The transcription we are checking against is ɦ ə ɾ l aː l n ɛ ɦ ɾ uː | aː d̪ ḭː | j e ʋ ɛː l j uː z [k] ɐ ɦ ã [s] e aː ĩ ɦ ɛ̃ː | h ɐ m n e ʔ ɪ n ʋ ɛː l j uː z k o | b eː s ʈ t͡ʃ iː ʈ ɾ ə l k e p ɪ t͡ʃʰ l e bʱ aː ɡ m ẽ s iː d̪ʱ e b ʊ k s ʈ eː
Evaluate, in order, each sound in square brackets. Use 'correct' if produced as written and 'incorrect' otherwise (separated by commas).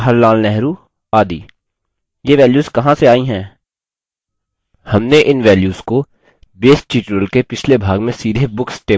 correct, correct